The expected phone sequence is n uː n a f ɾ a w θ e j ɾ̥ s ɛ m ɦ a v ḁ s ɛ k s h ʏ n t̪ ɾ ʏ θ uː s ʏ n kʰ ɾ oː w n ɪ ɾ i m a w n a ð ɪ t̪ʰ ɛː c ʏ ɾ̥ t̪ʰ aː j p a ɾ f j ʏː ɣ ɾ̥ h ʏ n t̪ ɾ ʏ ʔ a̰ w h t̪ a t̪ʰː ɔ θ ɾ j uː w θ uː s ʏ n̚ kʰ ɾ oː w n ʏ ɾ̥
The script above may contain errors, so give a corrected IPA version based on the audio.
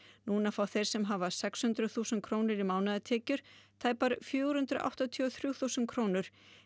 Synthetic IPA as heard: n uː n a f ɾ a w θ e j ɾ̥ s ɛ m ɦ a v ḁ s ɛ k s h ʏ n t̪ ɾ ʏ θ uː s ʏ n kʰ ɾ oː w n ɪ ɾ i m a w n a ð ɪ t̪ʰ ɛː c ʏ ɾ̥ t̪ʰ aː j p a ɾ f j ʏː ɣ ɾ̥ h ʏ n t̪ ɾ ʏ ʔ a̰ w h t̪ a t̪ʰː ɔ θ ɾ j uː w θ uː s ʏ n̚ kʰ ɾ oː w n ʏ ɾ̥